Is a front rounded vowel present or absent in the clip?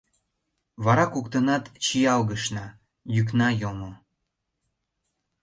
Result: present